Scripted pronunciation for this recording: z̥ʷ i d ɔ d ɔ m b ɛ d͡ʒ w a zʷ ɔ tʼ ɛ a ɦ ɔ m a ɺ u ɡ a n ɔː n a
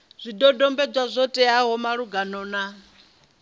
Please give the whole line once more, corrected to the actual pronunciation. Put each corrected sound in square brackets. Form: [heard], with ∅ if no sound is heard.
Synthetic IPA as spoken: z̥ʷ i d ɔ d ɔ m b ɛ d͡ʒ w a zʷ ɔ tʼ ɛ a ɦ ɔ m a ɺ u ɡ a n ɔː n a